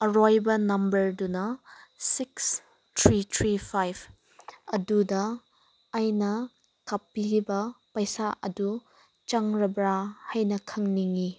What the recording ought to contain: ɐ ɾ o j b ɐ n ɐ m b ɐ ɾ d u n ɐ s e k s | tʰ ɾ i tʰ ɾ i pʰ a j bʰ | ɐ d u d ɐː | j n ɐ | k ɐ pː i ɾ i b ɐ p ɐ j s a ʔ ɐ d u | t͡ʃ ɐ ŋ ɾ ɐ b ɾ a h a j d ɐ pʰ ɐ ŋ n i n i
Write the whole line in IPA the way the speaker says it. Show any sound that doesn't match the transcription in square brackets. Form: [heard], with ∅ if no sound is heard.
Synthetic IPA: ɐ ɾ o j b ɐ n ɐ m b ɐ ɾ d u n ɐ s [i] k s | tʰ ɾ i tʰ ɾ i pʰ a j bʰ | ɐ d u d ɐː | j n ɐ | k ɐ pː i ɾ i b ɐ p ɐ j s a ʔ ɐ d u | t͡ʃ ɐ ŋ ɾ ɐ b ɾ a h a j [n] ɐ [kʰ] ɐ ŋ n i [ŋ] i